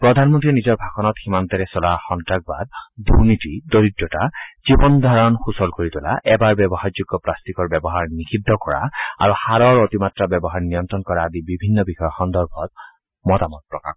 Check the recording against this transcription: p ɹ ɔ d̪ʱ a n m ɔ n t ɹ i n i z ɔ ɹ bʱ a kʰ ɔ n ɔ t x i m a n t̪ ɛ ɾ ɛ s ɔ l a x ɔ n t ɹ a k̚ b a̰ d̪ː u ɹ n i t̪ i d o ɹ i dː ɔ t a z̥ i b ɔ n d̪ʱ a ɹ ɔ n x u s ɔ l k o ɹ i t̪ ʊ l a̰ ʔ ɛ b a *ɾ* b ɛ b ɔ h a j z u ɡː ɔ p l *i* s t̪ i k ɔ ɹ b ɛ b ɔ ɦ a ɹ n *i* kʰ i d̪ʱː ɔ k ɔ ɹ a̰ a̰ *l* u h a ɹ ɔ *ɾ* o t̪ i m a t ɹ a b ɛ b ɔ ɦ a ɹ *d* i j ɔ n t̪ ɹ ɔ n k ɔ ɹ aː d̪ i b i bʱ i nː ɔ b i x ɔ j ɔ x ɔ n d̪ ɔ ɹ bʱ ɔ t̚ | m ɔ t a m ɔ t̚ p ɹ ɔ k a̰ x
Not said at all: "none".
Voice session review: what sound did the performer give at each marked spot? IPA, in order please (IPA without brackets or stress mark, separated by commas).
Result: ɹ, a, i, ɹ, ɹ, n